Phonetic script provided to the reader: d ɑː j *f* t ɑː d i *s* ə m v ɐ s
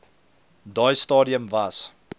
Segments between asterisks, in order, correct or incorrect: incorrect: s, incorrect: none

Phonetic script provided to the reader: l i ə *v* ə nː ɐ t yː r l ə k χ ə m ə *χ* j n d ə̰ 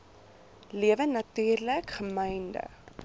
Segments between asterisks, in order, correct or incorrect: correct, incorrect: none

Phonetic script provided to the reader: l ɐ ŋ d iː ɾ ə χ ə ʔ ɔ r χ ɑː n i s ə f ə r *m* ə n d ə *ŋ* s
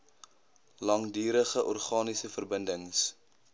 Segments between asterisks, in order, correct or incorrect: incorrect: b, correct

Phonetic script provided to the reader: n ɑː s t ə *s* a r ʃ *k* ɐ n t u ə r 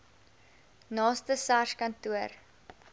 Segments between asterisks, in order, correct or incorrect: correct, correct

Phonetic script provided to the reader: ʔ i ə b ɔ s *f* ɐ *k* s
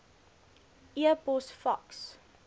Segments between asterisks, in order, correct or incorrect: correct, correct

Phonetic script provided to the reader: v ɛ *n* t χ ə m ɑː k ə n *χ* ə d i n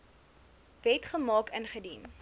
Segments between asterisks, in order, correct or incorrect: incorrect: none, correct

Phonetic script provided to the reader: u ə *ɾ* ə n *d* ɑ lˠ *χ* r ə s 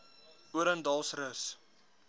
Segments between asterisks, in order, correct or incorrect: correct, correct, incorrect: s

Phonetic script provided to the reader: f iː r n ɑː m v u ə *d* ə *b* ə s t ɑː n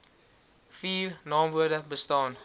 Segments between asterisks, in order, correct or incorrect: correct, correct

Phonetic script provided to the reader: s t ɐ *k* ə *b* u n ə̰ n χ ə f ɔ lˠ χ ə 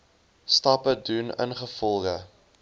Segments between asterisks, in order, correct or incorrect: incorrect: p, incorrect: d

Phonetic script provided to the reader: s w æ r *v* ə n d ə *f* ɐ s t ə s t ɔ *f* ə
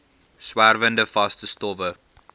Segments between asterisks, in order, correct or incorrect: correct, correct, incorrect: v

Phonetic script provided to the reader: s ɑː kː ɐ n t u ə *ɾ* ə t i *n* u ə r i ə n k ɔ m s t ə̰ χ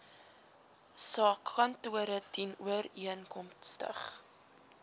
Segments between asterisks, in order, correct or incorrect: correct, correct

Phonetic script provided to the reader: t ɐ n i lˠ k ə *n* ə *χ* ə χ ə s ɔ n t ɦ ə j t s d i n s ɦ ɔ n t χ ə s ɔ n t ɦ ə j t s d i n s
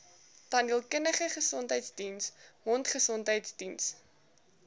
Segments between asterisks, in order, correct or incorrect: correct, correct

